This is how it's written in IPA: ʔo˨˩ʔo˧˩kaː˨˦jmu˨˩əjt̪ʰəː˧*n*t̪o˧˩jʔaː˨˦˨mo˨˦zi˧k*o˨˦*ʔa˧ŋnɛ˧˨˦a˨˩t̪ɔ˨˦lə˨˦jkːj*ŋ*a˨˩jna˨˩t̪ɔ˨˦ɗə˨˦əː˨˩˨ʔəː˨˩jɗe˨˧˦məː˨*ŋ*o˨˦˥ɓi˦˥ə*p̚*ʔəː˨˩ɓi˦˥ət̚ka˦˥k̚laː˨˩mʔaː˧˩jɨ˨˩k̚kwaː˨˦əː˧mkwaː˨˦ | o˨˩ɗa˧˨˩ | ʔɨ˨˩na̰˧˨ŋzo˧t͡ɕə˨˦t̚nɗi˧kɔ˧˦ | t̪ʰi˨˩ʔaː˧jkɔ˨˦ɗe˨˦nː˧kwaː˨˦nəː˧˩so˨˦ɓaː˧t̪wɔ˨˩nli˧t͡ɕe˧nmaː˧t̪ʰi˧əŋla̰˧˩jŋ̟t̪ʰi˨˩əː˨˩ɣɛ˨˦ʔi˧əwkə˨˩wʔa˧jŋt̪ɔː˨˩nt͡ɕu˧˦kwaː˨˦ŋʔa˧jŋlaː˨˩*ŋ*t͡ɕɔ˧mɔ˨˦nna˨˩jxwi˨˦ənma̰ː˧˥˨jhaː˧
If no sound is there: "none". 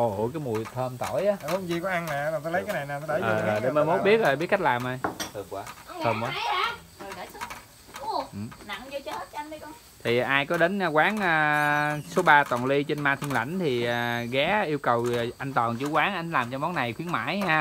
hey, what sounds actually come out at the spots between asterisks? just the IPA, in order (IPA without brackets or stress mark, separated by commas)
m, ɔ˨˦, n, m, t̚, m